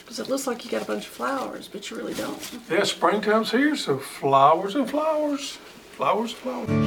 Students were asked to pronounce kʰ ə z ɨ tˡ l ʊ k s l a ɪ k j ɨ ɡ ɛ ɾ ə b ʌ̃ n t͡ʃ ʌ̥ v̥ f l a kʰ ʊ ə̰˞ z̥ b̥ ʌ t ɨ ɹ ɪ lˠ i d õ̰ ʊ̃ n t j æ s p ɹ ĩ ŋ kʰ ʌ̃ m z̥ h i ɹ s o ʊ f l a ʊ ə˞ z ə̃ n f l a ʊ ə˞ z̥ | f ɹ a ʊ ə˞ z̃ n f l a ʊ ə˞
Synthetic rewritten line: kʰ ʌ z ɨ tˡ l ʊ k s l a ɪ k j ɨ ɡ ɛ ɾ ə b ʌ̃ n t͡ʃ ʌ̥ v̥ f l a ʊ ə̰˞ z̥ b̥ ʌ t͡ʃ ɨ ɹ ɪ lˠ i d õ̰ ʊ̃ n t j æ s p ɹ ɪ̃ ŋ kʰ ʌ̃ m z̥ h i ɹ s o ʊ f l a ʊ ə˞ z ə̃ n f l a ʊ ə˞ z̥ | f l a ʊ ə˞ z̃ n f l a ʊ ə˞